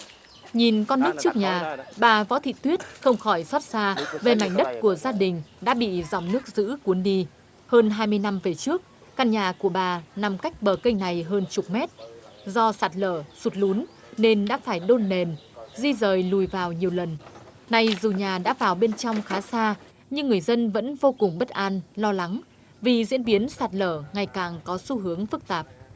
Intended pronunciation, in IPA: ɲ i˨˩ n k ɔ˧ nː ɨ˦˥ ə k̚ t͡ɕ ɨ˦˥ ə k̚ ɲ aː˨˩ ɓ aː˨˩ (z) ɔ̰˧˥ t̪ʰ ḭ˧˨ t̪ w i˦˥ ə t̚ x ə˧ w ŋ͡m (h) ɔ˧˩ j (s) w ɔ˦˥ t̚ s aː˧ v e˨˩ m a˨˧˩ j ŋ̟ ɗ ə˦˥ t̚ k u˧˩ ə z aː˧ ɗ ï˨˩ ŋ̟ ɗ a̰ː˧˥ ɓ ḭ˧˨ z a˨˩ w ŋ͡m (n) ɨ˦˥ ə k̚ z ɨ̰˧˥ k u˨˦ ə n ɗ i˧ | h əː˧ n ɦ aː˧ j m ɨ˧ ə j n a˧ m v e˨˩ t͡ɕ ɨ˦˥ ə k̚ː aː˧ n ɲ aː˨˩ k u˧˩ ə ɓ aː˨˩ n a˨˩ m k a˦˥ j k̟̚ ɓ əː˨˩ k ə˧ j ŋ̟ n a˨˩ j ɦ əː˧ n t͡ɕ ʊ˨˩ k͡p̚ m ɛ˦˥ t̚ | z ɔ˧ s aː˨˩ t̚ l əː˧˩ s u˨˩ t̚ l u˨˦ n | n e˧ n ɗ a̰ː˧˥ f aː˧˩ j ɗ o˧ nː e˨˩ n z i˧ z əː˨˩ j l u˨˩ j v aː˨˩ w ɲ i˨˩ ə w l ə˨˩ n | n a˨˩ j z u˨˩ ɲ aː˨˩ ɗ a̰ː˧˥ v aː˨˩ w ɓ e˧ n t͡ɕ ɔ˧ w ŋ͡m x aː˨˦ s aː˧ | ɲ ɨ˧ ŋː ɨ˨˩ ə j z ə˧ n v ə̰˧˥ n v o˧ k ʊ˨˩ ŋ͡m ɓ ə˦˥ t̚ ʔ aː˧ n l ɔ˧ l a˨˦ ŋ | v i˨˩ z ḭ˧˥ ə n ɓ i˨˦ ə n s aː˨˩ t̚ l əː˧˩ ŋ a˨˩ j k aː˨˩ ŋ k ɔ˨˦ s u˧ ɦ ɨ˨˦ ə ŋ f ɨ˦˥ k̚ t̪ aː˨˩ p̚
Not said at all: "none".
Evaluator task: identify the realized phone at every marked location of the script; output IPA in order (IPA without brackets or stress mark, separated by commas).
v, x, s, n